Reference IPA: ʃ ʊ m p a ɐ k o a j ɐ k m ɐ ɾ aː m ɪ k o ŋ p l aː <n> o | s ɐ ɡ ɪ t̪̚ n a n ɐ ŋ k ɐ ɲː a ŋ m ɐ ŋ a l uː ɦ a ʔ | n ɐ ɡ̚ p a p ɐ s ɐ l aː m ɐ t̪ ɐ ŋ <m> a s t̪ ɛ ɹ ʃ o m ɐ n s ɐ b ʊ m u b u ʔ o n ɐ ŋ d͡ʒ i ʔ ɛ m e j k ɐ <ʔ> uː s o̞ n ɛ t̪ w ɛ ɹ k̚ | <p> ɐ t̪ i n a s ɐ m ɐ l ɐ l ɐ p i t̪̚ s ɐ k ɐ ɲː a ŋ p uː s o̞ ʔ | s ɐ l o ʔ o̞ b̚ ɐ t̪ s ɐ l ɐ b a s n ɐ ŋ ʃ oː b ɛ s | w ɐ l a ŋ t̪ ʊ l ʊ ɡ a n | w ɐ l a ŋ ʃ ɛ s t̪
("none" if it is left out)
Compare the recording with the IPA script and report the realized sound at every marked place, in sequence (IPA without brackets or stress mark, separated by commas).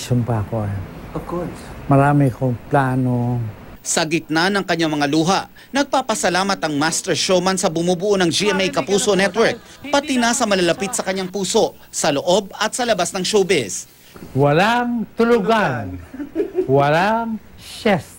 n, m, p, p